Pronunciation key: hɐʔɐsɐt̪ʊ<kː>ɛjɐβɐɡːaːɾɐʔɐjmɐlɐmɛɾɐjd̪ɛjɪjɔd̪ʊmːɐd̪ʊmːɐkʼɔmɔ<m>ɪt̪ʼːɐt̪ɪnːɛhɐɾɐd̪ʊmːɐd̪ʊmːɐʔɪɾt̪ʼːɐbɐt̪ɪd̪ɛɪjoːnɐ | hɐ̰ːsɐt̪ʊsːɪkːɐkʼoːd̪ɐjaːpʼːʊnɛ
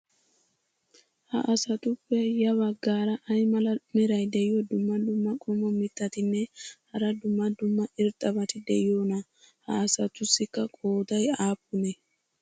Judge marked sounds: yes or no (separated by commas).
no, yes